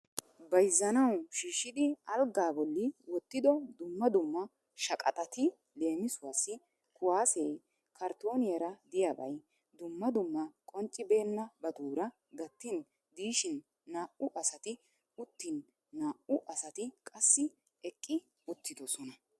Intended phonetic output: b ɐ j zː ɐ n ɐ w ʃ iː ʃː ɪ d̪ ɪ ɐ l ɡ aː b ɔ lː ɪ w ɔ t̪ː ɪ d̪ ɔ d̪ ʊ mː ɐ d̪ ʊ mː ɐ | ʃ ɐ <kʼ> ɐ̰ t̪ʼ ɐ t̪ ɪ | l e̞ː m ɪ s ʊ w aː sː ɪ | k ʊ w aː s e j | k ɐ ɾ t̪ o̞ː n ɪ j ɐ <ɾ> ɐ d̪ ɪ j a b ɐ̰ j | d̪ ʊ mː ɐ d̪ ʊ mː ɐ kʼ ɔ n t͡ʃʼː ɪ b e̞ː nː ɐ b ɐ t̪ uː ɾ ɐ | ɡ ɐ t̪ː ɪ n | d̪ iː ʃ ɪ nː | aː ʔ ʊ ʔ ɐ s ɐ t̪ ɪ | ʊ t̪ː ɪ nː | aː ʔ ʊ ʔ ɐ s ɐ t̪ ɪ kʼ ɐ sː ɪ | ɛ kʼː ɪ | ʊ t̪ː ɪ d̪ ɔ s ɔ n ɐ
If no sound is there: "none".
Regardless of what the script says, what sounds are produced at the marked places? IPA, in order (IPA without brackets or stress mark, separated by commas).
kʼ, ɾ